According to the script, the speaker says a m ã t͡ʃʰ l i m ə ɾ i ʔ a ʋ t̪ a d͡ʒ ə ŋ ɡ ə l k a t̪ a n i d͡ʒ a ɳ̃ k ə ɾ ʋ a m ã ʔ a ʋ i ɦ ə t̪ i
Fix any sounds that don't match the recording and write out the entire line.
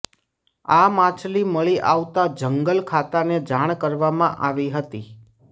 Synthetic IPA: a m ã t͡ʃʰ l i m ə ɭ i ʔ a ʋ t̪ a d͡ʒ ə ŋ ɡ ə l kʰ a t̪ a n e d͡ʒ a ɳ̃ k ə ɾ ʋ a m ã ʔ a ʋ i ɦ ə t̪ i